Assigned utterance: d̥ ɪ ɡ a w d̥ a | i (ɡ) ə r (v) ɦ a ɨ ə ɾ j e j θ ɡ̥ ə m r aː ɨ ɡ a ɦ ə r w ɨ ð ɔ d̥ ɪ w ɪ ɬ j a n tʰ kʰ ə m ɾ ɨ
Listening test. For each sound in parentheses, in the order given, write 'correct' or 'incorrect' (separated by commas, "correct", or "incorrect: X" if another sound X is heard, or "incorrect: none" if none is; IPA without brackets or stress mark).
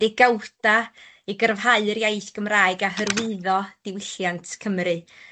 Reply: correct, correct